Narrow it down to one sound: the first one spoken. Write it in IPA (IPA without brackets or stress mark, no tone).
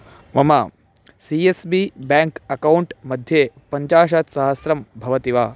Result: m